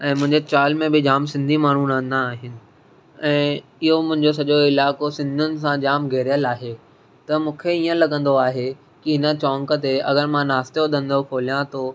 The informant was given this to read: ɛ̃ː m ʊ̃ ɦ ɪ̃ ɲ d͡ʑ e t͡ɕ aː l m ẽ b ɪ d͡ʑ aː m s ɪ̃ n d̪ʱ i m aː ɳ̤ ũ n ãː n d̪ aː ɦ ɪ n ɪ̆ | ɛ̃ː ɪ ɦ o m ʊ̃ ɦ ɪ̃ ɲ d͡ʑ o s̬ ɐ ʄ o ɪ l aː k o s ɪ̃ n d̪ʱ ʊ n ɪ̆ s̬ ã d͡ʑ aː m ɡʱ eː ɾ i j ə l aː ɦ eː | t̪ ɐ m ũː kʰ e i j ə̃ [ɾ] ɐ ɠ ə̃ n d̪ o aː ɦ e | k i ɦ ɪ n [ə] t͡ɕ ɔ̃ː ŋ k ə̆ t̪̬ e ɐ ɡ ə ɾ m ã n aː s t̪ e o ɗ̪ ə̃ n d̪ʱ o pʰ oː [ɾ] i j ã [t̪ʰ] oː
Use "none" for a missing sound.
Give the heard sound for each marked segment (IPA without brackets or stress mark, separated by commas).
l, ə, l, t̪